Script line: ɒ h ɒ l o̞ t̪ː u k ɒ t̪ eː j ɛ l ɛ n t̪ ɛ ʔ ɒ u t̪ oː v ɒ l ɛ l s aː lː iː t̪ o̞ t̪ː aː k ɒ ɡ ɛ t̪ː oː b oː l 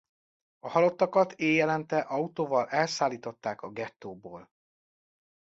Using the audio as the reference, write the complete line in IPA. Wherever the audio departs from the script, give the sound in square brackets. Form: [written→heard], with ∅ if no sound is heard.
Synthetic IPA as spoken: ɒ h ɒ l o̞ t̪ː [u→ɒ] k ɒ t̪ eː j ɛ l ɛ n t̪ ɛ ʔ ɒ u t̪ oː v ɒ l ɛ l s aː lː iː t̪ o̞ t̪ː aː k ɒ ɡ ɛ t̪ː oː b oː l